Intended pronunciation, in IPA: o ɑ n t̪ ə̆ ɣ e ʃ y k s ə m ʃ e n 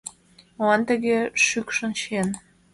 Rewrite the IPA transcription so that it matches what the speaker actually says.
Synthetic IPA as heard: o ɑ n t̪ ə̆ ɣ e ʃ y k ʃ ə n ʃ e n